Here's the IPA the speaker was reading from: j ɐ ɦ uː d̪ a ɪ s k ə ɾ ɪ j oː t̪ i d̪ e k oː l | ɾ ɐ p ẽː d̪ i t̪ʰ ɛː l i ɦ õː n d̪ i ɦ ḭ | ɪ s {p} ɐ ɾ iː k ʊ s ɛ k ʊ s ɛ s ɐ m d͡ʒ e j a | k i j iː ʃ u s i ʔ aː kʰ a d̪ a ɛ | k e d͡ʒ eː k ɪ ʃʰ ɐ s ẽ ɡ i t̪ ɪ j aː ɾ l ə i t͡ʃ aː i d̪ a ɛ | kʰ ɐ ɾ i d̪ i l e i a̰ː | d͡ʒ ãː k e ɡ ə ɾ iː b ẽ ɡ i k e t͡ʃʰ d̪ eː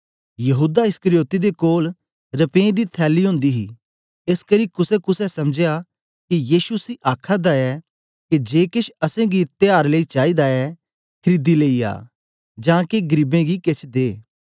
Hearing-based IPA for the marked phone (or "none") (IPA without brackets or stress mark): k